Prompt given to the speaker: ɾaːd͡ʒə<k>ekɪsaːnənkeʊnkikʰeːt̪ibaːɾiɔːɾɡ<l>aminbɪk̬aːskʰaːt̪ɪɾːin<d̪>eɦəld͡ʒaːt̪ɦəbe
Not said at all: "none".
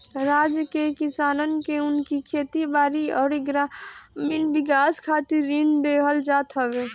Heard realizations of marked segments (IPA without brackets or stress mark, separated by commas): k, ɾ, d̪